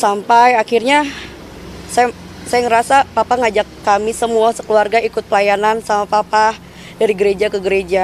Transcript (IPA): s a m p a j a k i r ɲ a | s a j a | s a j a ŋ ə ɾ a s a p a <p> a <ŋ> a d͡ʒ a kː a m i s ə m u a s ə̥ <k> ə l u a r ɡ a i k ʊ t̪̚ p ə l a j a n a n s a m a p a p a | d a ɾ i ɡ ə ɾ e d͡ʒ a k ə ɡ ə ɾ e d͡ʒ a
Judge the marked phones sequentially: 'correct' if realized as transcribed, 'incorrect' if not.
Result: correct, correct, correct

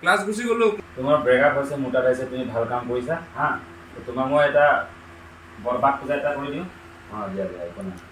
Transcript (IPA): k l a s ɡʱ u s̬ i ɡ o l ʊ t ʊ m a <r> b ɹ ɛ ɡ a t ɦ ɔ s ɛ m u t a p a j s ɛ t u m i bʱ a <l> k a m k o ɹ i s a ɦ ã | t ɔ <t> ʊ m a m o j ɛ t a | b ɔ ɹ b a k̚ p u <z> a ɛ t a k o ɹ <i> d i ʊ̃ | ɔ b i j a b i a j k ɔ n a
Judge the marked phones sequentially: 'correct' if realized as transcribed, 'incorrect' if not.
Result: incorrect: ɹ, correct, correct, correct, correct

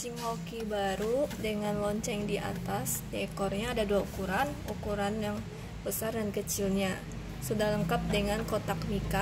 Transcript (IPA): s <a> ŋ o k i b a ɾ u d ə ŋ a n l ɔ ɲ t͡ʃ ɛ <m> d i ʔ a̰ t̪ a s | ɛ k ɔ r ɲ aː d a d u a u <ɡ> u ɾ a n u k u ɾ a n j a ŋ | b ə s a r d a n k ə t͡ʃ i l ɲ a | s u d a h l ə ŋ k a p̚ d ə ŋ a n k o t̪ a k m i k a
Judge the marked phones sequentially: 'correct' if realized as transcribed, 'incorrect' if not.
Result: incorrect: i, incorrect: ŋ, incorrect: k

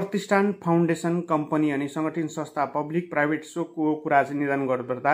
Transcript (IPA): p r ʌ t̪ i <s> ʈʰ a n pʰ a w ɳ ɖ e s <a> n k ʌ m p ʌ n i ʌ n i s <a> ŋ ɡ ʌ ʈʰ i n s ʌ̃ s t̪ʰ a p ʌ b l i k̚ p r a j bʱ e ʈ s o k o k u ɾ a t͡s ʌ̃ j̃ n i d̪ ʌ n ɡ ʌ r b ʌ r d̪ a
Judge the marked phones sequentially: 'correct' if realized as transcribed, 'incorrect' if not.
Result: correct, incorrect: ʌ, incorrect: ʌ

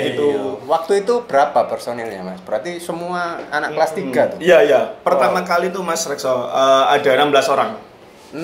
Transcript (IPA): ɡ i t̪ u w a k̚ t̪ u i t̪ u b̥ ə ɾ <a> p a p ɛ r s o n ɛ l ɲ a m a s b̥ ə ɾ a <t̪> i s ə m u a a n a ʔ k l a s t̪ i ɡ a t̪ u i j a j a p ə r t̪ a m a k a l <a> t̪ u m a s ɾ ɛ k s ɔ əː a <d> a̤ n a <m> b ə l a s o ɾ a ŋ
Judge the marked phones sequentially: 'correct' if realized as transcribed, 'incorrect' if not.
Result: correct, correct, incorrect: i, correct, correct

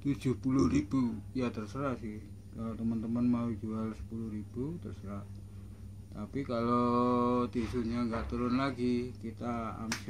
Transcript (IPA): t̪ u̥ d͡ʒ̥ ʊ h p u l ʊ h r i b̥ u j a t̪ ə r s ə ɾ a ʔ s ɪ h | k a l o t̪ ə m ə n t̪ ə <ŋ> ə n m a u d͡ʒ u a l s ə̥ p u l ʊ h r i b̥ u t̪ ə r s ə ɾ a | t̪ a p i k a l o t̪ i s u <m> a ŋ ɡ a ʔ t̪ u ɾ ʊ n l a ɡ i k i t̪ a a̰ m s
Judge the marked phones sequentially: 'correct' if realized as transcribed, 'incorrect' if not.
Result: incorrect: m, incorrect: ɲ

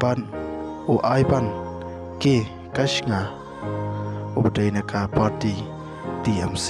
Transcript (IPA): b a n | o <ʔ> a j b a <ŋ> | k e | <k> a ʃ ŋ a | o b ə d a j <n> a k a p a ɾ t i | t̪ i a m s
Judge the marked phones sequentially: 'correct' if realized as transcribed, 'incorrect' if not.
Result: correct, incorrect: n, correct, correct

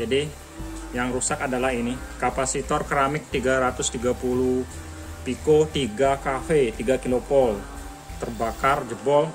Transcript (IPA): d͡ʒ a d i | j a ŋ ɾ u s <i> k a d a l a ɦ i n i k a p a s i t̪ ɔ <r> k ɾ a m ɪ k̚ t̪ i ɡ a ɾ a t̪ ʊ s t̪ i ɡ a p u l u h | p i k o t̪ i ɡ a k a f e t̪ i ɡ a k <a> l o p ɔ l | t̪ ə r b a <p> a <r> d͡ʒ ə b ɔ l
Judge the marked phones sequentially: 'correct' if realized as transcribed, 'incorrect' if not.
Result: incorrect: a, correct, incorrect: i, incorrect: k, correct

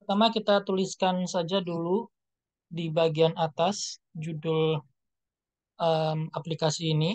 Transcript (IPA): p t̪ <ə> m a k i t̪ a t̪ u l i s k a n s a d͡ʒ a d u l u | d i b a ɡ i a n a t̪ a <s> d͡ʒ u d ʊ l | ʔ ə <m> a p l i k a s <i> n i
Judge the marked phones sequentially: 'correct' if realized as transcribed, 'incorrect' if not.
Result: incorrect: a, correct, correct, incorrect: iː

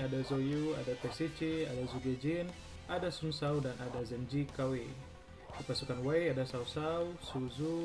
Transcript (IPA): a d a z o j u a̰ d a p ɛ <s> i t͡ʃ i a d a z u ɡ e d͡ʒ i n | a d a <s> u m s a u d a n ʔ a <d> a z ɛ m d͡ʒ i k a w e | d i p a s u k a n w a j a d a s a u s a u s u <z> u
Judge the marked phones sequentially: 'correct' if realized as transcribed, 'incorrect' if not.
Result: correct, correct, correct, correct

